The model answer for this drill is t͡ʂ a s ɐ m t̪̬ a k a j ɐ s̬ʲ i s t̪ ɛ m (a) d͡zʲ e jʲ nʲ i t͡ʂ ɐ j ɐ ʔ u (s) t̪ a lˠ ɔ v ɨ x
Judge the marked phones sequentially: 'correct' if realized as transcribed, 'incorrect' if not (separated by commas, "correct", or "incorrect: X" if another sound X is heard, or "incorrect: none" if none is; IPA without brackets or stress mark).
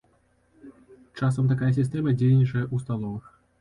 incorrect: ɐ, correct